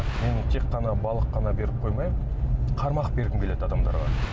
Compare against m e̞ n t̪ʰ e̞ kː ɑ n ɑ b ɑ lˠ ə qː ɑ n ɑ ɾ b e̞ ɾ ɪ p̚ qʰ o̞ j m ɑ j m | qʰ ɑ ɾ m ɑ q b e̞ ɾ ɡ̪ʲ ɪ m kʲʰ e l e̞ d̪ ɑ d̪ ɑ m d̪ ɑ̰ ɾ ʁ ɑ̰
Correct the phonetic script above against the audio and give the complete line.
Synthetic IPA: m e̞ n t̪ʰ e̞ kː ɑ n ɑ b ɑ lˠ ə qː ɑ n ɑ b e̞ ɾ ɪ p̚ qʰ o̞ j m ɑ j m | qʰ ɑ ɾ m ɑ q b e̞ ɾ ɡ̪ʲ ɪ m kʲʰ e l e̞ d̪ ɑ d̪ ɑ m d̪ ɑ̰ ɾ ʁ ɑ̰